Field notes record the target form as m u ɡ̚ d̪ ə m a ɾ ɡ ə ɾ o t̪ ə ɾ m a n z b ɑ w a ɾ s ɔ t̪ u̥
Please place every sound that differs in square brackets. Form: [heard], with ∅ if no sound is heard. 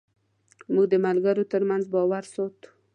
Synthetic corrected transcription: m u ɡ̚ d̪ ə m a [l] ɡ [a] ɾ o t̪ ə ɾ m a n z b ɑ w a ɾ s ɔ t̪ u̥